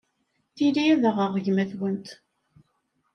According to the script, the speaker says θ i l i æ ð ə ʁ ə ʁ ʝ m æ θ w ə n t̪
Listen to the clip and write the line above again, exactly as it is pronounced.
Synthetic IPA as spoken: θ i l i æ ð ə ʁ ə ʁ ʝ m æ θ w ə n t̪